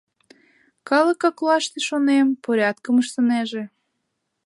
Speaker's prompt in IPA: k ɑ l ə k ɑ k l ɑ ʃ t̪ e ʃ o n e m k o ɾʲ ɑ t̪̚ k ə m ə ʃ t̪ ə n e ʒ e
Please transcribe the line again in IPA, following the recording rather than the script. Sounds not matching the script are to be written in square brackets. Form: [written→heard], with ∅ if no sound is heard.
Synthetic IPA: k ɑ l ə k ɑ k l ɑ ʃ t̪ e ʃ o n e m [k→p] o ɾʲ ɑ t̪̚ k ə m ə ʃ t̪ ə n e ʒ e

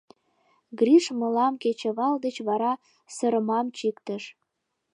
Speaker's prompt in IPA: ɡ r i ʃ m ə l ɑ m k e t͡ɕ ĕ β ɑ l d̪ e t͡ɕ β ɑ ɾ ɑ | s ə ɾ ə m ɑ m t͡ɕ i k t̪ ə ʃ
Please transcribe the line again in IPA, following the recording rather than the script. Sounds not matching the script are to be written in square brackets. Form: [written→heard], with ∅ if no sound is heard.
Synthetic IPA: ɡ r i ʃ m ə l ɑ m k e t͡ɕ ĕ β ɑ l d̪ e t͡ɕ β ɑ ɾ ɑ | s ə ɾ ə m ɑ m t͡ɕ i k t̪ ə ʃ

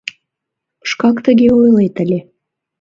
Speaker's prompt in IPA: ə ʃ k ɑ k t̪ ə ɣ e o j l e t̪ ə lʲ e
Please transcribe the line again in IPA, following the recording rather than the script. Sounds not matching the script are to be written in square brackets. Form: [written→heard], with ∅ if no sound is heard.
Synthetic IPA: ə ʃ k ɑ k t̪ ə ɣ e o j l e t̪ ə lʲ e

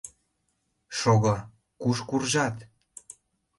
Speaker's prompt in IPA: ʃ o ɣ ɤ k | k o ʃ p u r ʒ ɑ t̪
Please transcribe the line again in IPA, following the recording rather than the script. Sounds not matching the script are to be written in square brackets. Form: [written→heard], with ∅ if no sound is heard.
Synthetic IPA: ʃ o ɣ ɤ [k→∅] | k [o→u] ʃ [p→k] u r ʒ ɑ t̪

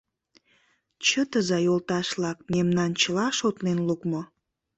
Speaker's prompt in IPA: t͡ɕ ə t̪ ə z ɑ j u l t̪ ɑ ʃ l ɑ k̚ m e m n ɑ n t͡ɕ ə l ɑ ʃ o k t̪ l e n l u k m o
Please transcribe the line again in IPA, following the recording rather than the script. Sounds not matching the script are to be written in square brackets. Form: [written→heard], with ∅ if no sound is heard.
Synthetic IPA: t͡ɕ ə t̪ ə z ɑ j [u→o] l t̪ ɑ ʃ l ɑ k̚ m e m n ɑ n t͡ɕ ə l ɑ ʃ o [k→∅] t̪ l e n l u k m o

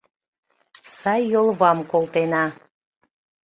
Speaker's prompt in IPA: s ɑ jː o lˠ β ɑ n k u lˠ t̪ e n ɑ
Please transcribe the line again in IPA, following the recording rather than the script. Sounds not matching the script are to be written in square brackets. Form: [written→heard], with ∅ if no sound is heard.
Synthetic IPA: s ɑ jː o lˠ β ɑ [n→m] k [u→o] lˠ t̪ e n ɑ

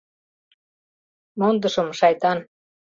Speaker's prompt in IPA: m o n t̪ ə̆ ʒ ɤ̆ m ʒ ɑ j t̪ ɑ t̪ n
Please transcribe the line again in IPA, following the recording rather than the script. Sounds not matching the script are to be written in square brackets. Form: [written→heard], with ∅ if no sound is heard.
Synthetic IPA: m o n [t̪→d̪] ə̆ [ʒ→ʃ] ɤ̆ m [ʒ→ʃ] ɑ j t̪ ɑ [t̪→∅] n

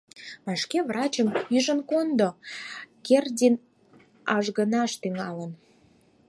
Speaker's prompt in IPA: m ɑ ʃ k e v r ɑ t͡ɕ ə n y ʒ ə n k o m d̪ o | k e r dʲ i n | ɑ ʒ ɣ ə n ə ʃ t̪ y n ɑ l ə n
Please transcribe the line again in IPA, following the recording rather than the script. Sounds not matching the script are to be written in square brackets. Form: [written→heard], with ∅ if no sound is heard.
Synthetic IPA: m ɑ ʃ k e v r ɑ t͡ɕ ə [n→m] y ʒ ə n k o [m→n] d̪ o | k e r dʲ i n | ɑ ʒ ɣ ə n [ə→ɑ] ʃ t̪ y [n→ŋ] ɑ l ə n

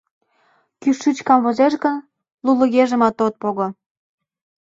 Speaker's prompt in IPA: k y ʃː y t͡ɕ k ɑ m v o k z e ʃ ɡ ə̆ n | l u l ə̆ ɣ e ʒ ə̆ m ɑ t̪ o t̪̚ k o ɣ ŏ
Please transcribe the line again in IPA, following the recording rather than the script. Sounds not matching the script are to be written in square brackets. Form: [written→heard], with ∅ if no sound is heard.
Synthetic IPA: k y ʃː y t͡ɕ k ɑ m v o [k→∅] z e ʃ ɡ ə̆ n | l u l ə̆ ɣ e ʒ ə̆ m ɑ t̪ o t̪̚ [k→p] o ɣ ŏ

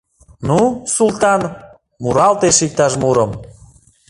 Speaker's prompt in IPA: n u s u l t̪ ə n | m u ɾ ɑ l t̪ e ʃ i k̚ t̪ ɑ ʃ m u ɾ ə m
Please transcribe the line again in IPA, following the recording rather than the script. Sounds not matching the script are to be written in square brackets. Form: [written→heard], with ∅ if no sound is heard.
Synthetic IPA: n u s u l t̪ [ə→ɑ] n | m u ɾ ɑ l t̪ e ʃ i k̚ t̪ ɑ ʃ m u ɾ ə m

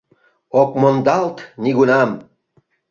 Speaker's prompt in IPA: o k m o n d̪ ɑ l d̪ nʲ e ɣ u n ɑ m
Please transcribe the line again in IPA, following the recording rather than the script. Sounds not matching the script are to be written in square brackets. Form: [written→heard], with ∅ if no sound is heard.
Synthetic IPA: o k m o n d̪ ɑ l [d̪→t̪] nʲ [e→i] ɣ u n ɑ m

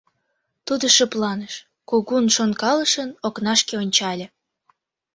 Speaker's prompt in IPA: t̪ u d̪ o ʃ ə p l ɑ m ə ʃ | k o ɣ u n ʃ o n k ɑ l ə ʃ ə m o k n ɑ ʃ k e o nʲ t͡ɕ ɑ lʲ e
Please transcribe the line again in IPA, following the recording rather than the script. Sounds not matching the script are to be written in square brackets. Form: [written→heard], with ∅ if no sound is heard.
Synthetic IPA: t̪ u d̪ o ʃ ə p l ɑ [m→n] ə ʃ | k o ɣ u n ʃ o n k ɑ l ə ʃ ə [m→n] o k n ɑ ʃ k e o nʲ t͡ɕ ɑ lʲ e

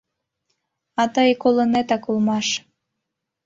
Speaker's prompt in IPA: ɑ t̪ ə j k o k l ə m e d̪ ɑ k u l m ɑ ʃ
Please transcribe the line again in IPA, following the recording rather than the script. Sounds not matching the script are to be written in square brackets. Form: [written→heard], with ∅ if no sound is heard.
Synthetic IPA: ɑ t̪ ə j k o [k→∅] l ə [m→n] e [d̪→t̪] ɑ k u l m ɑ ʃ

